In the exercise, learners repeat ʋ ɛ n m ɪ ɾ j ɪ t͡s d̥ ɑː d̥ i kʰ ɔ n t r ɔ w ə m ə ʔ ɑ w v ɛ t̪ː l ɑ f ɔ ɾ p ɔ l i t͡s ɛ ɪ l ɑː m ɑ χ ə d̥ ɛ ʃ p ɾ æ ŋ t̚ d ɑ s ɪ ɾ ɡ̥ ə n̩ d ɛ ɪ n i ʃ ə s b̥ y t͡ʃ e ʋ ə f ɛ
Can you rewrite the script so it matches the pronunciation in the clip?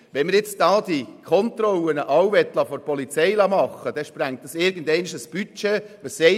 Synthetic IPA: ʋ ɛ n m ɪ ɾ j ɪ t͡s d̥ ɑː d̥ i kʰ ɔ n t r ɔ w ə n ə ʔ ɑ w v ɛ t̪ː l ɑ f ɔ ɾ p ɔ l i t͡s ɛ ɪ l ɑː m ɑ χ ə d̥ ɛ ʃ p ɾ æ ŋ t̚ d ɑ s ɪ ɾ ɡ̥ ə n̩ d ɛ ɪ n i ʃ ə s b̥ y t͡ʃ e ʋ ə s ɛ